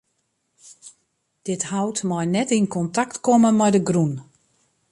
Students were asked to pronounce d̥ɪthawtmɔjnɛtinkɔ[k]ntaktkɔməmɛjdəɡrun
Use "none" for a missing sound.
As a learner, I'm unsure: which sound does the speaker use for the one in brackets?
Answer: none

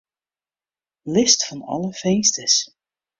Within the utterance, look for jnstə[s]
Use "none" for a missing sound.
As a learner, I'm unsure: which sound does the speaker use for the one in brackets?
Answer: s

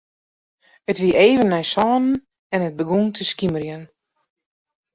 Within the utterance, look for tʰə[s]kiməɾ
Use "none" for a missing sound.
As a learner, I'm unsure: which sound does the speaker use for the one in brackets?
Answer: s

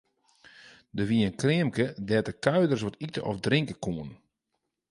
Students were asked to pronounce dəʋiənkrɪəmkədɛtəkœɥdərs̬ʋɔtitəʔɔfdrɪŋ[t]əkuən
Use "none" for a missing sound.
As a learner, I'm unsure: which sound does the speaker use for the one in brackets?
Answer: k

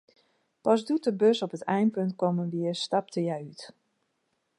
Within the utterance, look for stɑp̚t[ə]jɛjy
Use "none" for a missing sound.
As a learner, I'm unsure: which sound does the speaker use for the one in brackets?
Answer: ə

